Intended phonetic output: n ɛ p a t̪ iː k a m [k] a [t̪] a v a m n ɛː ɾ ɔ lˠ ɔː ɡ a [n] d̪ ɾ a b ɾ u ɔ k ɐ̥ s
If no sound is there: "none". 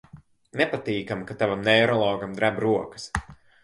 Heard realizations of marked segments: k, t̪, m

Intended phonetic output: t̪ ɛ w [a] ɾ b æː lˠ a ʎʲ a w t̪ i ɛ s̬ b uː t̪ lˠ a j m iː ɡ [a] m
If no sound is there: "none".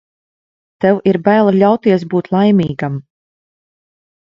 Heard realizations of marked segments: i, a

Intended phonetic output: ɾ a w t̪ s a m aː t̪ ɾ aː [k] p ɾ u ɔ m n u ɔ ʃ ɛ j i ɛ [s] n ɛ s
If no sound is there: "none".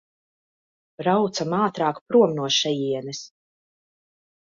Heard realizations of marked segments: k, none

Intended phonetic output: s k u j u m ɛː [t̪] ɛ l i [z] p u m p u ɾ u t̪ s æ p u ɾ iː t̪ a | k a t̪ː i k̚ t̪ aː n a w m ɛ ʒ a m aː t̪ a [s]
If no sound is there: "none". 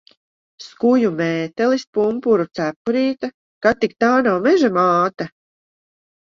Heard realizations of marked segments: t̪, s, none

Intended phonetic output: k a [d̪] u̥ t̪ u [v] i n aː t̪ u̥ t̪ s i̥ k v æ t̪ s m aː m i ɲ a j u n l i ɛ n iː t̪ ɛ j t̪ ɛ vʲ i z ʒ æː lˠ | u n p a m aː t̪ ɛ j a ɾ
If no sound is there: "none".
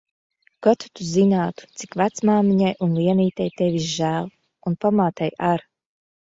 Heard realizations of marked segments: t̪, z

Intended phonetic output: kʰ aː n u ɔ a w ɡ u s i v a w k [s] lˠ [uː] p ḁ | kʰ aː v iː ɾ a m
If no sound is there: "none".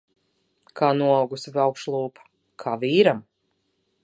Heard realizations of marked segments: ʃ, uː

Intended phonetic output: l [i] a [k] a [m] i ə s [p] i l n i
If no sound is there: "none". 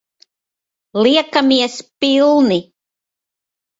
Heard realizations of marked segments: i, k, m, p

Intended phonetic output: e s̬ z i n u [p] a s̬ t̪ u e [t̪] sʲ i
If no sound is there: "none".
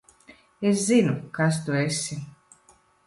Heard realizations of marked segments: k, none

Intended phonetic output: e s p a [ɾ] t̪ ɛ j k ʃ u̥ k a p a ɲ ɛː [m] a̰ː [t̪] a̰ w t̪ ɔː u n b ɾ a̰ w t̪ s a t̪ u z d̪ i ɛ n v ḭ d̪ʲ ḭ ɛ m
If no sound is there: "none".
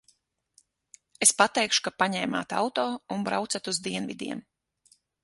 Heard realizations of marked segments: none, m, t̪

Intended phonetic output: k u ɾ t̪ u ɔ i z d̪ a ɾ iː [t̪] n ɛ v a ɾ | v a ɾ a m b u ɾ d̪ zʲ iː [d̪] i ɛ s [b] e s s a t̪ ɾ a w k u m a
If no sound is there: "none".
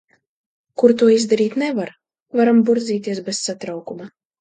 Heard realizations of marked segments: t̪, t̪, b

